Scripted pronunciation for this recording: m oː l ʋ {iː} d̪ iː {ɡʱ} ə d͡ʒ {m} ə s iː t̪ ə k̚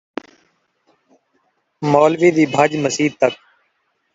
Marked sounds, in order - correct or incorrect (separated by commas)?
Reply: correct, incorrect, correct